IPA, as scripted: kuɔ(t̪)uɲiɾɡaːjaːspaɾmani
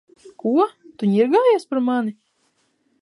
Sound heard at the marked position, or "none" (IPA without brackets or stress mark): t̪